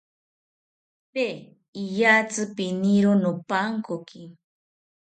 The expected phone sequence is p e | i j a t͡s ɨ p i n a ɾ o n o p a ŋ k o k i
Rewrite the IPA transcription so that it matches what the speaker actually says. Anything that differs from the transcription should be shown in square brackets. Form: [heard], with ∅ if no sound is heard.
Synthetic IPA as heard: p e | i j a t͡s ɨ p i n [i] ɾ o n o p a ŋ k o k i